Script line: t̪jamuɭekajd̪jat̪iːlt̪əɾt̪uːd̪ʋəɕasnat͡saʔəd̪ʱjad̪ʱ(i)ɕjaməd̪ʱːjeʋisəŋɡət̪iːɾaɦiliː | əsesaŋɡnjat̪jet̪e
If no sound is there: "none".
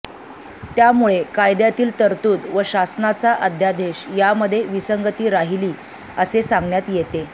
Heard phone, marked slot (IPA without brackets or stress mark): e